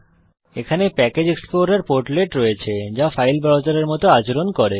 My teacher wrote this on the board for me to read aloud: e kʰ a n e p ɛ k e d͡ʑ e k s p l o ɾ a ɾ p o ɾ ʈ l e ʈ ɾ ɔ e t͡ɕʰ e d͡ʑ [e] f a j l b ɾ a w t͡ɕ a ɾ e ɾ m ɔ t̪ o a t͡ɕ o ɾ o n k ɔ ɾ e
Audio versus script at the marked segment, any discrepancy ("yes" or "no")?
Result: yes